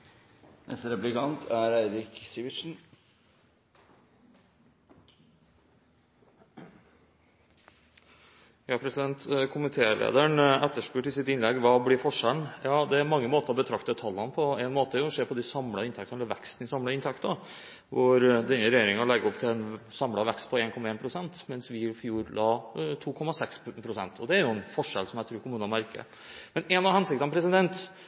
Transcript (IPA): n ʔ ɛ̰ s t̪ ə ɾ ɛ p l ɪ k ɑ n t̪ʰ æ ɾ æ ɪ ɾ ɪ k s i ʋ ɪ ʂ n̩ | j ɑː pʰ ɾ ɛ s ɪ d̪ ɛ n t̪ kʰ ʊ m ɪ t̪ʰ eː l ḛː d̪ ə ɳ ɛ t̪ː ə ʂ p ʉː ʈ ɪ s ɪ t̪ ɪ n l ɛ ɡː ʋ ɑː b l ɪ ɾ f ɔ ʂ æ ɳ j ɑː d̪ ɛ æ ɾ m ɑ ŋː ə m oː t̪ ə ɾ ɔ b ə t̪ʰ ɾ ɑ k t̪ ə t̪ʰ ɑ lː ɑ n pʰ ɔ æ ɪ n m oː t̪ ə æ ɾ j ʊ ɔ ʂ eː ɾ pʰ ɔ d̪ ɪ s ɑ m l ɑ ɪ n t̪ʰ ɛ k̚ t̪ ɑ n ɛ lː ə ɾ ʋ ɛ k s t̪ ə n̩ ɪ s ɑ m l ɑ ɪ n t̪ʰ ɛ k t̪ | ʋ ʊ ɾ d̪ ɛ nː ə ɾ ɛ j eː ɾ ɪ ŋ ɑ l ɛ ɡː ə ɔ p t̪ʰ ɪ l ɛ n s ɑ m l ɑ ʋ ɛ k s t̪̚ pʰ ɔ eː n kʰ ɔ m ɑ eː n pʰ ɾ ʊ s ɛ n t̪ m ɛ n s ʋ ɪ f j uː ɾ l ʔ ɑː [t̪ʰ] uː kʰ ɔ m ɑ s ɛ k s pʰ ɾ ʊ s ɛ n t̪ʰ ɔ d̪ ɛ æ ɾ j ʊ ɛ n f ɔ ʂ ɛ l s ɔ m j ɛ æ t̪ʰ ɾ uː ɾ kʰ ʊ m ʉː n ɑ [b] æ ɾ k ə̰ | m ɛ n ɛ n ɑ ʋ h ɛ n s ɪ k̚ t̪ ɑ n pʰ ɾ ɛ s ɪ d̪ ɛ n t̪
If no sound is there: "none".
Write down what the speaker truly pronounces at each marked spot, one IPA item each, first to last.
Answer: t̪ʰ, m

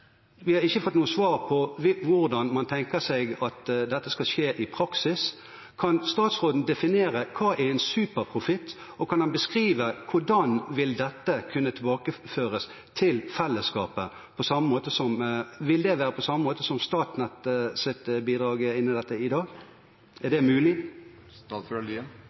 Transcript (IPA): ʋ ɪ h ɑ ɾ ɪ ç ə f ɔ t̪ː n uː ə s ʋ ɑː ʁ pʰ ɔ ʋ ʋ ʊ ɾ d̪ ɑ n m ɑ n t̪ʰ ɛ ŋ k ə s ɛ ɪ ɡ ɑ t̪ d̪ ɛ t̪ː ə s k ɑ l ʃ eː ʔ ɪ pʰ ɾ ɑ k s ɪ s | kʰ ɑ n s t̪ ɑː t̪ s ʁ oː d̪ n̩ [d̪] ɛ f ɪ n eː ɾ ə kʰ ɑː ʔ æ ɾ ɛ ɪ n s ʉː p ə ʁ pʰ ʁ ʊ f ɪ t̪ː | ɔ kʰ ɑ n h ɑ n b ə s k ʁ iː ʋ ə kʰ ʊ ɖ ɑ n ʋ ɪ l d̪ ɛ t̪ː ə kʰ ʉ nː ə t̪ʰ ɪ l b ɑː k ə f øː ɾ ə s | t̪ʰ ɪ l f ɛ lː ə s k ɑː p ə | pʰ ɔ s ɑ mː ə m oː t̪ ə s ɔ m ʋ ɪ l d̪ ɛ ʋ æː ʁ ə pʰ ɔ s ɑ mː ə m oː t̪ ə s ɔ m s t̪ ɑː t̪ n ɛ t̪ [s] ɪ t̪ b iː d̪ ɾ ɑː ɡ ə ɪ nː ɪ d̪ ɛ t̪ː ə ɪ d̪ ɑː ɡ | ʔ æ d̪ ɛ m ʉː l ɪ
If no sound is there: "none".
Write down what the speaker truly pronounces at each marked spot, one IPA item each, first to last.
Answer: d̪, s

